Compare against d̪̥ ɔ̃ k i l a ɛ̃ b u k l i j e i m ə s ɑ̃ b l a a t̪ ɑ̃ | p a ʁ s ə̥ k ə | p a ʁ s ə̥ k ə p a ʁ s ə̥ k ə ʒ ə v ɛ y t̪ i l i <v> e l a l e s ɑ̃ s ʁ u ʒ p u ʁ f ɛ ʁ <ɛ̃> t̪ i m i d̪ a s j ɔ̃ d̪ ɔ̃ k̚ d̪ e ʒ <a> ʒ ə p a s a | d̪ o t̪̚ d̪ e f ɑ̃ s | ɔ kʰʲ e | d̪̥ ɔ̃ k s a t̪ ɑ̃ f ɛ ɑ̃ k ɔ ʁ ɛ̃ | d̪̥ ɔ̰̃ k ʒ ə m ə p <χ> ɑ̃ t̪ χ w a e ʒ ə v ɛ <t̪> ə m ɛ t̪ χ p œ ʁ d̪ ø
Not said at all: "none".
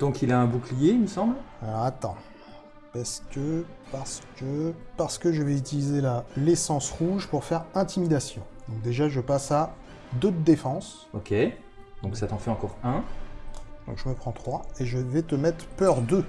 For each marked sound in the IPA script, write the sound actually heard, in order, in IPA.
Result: z, ɛ̃, a, χ, t̪

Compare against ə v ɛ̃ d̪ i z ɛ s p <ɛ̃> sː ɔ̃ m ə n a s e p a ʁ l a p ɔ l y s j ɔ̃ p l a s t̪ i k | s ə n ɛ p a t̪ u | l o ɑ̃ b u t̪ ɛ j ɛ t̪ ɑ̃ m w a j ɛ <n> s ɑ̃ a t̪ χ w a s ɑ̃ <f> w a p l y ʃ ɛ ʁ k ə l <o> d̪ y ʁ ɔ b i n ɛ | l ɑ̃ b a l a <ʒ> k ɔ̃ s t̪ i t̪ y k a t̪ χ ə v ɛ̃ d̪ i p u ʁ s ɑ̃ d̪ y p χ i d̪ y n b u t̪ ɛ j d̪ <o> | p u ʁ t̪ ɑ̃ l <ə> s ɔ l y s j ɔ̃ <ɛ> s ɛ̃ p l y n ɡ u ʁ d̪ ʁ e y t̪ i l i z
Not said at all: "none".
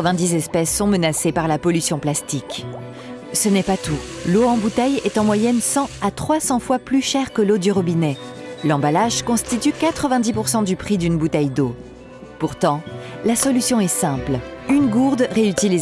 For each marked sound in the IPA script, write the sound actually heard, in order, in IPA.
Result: ɛ, n, f, o, ʒ, o, a, ɛ

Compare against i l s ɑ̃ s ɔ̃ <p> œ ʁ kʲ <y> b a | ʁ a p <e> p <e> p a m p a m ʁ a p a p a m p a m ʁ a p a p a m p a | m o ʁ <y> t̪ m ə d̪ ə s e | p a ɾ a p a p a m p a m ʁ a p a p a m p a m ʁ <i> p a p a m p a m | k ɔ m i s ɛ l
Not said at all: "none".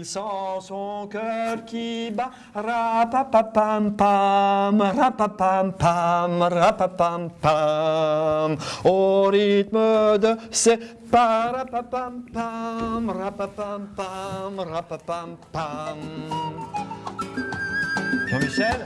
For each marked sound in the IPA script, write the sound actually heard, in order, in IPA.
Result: k, i, a, a, i, a

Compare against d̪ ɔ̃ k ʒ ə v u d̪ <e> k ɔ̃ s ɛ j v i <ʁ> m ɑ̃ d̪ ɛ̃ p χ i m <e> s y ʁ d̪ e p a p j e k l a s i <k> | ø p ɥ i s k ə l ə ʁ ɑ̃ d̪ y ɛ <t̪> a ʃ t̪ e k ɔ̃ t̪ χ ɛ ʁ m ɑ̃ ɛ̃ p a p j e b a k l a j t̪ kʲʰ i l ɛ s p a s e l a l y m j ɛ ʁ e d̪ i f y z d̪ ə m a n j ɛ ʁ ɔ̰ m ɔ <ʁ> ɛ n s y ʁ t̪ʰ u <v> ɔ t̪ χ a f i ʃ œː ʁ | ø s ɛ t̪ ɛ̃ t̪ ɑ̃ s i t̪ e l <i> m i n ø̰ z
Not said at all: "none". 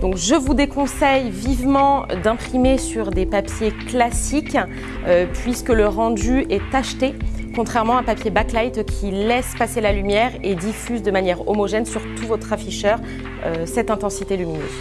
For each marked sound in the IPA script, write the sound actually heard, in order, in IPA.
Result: e, v, e, k, t̪, ʒ, v, y

